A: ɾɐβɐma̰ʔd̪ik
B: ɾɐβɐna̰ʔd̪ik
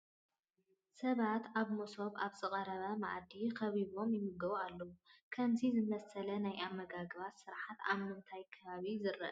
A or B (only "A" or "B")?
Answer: A